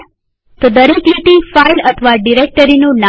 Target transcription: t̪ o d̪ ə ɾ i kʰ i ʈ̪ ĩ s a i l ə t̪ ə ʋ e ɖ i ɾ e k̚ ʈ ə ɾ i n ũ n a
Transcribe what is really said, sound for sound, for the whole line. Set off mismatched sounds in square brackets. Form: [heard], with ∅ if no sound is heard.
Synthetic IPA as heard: t̪ o d̪ ə ɾ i [k] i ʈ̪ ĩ [f] a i l ə [t̪ʰ] ə ʋ [a] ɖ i ɾ e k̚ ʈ ə ɾ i n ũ n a